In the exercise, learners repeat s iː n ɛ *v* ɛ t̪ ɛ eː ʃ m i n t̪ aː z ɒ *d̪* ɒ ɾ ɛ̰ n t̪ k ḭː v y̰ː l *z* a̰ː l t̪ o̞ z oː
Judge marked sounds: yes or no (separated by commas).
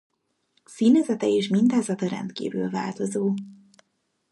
no, no, no